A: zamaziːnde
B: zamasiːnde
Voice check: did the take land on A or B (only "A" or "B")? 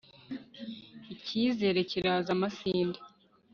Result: B